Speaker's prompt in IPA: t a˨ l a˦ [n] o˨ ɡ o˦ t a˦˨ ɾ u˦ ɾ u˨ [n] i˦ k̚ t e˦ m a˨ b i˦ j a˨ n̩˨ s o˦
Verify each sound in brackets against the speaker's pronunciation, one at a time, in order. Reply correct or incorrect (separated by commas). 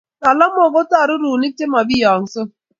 incorrect, correct